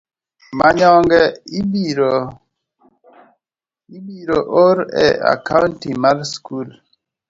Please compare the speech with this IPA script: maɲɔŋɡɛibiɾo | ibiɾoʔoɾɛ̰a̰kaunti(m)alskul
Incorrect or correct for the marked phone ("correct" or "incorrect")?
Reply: correct